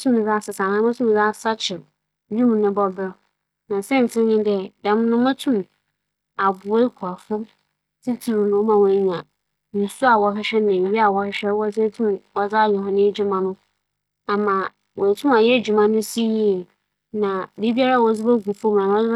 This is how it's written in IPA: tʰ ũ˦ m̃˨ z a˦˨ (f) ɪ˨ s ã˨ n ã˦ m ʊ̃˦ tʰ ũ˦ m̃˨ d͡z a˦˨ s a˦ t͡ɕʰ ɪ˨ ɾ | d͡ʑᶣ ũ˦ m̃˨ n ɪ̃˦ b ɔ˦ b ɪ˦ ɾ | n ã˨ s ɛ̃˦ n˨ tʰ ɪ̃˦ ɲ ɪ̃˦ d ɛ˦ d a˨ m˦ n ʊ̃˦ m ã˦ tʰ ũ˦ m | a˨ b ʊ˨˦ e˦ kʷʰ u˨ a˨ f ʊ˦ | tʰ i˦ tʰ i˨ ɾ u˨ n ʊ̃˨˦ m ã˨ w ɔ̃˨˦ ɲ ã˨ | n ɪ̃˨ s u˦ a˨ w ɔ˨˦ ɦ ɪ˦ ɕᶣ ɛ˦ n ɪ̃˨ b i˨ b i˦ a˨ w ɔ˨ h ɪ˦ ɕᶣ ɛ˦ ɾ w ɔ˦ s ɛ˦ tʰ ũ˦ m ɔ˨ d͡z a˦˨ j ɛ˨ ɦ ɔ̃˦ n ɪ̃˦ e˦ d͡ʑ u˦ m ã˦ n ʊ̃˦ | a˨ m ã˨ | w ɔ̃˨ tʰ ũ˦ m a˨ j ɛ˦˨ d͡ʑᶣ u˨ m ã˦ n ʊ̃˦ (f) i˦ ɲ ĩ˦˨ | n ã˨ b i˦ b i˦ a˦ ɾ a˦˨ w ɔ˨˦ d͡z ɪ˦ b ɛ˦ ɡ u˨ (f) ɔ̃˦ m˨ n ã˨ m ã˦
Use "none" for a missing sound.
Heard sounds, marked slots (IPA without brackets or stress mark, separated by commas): s, s, f